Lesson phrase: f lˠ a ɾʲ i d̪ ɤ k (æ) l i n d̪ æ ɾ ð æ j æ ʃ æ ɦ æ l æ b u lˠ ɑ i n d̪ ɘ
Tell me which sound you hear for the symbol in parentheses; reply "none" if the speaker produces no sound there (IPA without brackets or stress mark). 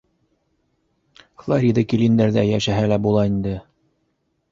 i